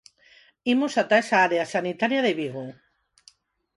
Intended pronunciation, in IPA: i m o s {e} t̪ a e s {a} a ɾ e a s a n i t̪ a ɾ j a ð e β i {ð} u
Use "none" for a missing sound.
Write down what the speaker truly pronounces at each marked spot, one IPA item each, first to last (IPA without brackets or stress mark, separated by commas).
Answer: a, a, ɣ